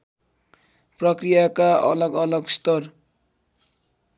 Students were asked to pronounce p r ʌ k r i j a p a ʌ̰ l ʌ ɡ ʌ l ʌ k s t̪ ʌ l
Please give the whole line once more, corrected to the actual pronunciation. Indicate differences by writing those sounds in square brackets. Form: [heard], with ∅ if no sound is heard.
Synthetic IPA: p r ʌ k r i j a [k] a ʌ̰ l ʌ ɡ ʌ l ʌ [ɡ] s t̪ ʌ [r]